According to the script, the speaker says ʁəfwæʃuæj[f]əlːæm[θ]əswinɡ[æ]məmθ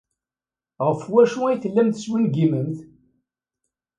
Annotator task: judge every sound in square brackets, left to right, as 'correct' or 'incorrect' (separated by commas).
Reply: incorrect, correct, incorrect